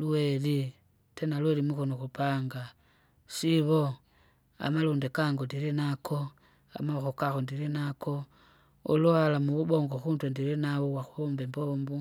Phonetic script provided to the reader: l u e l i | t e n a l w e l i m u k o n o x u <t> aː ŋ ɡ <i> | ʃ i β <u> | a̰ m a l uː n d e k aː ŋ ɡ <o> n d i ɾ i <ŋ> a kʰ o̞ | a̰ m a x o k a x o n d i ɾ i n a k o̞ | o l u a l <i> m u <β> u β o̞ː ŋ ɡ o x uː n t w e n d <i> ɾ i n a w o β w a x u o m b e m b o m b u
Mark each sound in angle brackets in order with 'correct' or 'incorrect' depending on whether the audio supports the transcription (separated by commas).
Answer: incorrect, incorrect, incorrect, correct, incorrect, incorrect, correct, correct